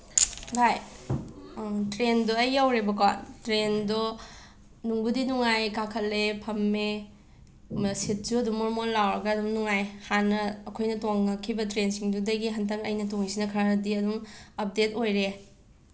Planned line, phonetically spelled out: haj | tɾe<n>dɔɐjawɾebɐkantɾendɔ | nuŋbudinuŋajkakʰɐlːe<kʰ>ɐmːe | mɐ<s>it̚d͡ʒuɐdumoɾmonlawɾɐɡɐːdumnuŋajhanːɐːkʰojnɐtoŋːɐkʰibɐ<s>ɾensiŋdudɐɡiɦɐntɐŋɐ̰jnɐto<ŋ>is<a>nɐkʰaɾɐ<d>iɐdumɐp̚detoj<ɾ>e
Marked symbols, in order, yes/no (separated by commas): yes, no, yes, no, yes, no, yes, yes